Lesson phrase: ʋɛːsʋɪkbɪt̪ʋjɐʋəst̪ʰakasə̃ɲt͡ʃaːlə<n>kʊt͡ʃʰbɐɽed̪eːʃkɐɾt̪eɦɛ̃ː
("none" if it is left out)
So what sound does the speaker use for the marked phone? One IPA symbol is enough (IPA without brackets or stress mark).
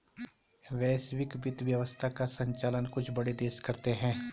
n